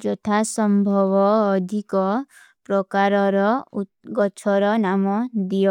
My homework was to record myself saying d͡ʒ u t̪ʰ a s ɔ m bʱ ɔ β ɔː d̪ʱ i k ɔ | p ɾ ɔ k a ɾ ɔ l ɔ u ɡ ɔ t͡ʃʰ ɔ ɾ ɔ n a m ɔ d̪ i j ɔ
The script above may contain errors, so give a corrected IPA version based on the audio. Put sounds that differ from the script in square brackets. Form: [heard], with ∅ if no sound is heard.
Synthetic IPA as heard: d͡ʒ [ɔ] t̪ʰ a s ɔ m bʱ ɔ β ɔː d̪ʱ i k ɔ | p ɾ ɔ k a ɾ ɔ [ɾ] ɔ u ɡ ɔ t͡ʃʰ ɔ ɾ ɔ n a m ɔ d̪ i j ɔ